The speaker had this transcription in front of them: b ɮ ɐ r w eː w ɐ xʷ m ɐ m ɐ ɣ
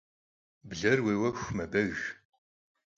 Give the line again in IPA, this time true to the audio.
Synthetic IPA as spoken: b ɮ ɐ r w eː w ɐ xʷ m ɐ b ɐ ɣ